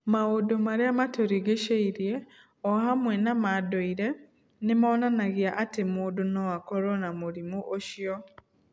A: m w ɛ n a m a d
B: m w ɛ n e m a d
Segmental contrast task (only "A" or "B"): A